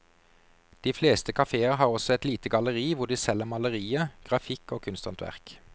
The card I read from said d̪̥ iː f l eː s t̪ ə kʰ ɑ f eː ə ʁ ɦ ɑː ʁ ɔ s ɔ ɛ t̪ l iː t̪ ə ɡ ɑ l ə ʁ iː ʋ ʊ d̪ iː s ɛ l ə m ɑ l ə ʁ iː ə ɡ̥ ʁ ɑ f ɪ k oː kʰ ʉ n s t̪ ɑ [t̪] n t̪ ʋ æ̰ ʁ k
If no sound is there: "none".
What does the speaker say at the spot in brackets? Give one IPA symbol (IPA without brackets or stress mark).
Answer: none